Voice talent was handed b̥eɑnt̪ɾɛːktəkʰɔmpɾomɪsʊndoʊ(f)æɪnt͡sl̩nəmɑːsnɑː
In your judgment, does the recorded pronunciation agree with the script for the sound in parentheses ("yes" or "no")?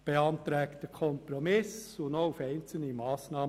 yes